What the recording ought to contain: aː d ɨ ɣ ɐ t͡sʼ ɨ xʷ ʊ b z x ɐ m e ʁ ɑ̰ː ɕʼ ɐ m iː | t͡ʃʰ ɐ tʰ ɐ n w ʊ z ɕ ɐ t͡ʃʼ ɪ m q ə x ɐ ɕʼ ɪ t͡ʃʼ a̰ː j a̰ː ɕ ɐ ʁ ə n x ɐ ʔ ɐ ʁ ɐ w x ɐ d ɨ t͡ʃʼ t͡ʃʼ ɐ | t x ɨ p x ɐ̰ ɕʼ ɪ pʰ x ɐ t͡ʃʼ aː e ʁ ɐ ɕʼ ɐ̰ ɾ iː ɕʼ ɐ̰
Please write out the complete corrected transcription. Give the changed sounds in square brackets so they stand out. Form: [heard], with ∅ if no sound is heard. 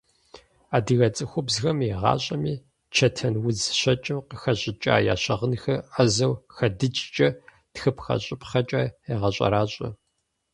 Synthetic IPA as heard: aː d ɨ ɣ ɐ t͡sʼ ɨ xʷ ʊ b z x ɐ m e ʁ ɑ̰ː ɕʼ ɐ m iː | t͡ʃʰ ɐ tʰ ɐ n w ʊ z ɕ ɐ t͡ʃʼ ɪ m q ə x ɐ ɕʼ ɪ t͡ʃʼ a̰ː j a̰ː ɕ ɐ ʁ ə n x ɐ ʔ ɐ [z] ɐ w x ɐ d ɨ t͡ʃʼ t͡ʃʼ ɐ | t x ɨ p x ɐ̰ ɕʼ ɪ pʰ [χ] ɐ t͡ʃʼ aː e ʁ ɐ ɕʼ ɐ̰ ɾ [aː] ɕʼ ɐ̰